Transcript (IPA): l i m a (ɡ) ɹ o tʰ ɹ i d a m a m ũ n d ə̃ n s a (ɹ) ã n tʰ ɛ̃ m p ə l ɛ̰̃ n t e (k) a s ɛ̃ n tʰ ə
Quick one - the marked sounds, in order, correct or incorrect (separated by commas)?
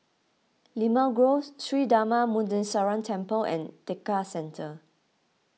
correct, correct, correct